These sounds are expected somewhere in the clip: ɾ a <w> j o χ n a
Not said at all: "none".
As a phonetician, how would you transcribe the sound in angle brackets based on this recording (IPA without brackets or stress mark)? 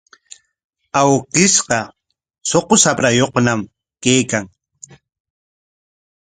none